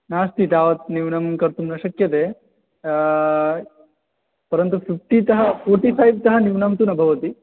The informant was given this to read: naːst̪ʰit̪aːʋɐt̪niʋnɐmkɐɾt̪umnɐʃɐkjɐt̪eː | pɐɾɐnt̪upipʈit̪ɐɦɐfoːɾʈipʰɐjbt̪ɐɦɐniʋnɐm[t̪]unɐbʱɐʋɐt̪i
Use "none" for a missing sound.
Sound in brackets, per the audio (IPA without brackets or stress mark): t̪